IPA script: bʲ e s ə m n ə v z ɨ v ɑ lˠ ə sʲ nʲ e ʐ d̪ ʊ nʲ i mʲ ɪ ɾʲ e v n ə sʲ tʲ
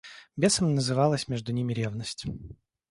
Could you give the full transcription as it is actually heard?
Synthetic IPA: bʲ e s ə m n ə z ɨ v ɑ lˠ ə sʲ mʲ e ʐ d̪ ʊ nʲ i mʲ ɪ ɾʲ e v n ə sʲ tʲ